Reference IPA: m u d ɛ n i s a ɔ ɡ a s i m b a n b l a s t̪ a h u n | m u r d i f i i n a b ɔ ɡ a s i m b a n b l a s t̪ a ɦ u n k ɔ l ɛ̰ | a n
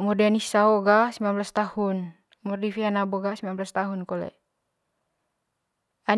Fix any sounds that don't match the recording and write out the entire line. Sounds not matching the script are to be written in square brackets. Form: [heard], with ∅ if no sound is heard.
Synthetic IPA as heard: m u d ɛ n i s a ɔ ɡ a s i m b a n b l a s t̪ a h u n | m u r d i f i [a] n a b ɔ ɡ a s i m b a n b l a s t̪ a ɦ u n k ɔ l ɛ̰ | a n